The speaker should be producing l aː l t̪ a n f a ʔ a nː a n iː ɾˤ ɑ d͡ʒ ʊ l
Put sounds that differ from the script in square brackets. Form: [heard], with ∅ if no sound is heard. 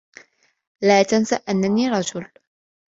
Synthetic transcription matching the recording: l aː [∅] t̪ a n [s] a ʔ a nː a n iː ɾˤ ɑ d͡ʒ ʊ l